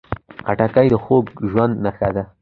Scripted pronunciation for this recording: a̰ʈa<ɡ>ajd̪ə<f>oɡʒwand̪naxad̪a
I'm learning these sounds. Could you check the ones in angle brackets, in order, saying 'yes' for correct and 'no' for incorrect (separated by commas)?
no, no